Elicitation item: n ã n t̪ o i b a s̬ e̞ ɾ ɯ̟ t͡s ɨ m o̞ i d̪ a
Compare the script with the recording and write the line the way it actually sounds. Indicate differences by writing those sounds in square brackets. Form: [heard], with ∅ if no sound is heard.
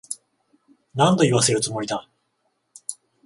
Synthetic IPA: n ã n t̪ o i [β] a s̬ e̞ ɾ ɯ̟ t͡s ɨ m o̞ i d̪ a